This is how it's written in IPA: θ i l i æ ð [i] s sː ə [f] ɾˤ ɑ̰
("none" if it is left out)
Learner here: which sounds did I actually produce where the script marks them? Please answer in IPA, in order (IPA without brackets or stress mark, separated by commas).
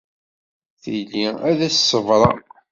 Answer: æ, v